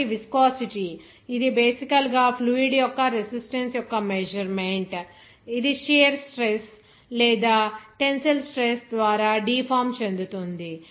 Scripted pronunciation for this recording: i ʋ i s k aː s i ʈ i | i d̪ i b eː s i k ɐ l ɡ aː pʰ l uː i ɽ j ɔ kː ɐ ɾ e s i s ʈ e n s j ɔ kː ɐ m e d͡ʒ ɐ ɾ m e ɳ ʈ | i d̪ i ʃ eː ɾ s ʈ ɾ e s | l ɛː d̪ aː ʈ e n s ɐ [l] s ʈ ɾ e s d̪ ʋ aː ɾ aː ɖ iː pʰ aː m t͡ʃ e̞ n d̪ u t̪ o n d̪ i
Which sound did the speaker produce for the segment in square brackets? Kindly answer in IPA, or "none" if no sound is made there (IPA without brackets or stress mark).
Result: l